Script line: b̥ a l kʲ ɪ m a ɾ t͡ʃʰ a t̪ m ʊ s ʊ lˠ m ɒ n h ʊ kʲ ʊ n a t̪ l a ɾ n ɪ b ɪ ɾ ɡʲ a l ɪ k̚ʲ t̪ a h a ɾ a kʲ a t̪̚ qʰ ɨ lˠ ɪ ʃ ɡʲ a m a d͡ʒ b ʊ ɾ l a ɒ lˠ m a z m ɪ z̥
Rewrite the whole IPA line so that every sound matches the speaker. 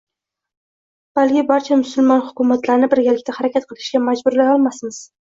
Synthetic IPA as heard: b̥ a l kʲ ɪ b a ɾ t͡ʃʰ a m ʊ s ʊ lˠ m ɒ n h ʊ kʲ ʊ m a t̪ l a ɾ n ɪ b ɪ ɾ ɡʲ a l ɪ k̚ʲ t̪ a h a ɾ a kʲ a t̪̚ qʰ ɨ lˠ ɪ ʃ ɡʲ a m a d͡ʒ b ʊ ɾ l a ɒ lˠ m a s m ɪ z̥